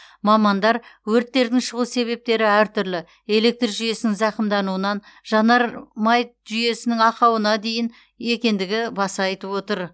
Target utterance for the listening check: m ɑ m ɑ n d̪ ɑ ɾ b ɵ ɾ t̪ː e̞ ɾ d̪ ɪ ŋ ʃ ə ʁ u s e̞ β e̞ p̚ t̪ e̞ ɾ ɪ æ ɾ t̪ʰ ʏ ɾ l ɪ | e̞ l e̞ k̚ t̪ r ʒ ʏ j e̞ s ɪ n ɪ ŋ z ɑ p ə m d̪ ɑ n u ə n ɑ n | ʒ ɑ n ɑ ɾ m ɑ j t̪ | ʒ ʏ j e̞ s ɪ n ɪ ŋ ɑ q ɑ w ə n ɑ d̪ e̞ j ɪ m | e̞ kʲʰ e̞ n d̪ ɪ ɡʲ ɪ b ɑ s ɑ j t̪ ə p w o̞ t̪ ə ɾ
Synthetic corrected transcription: m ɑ m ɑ n d̪ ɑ ɾ w ɵ ɾ t̪ː e̞ ɾ d̪ ɪ ŋ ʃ ə ʁ u s e̞ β e̞ p̚ t̪ e̞ ɾ ɪ æ ɾ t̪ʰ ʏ ɾ l ɪ | e̞ l e̞ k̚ t̪ r ʒ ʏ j e̞ s ɪ n ɪ ŋ z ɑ q ə m d̪ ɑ n u ə n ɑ n | ʒ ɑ n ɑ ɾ m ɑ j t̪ | ʒ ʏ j e̞ s ɪ n ɪ ŋ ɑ q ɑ w ə n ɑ d̪ e̞ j ɪ n | e̞ kʲ e̞ n d̪ ɪ ɡʲ ɪ b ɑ s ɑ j t̪ ə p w o̞ t̪ ə ɾ